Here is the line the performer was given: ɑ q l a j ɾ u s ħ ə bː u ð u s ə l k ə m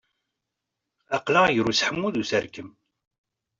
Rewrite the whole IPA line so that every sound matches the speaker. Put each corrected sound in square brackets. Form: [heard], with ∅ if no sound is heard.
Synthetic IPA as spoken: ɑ q l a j ɾ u s ħ ə [mː] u ð u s ə [ɾ] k ə m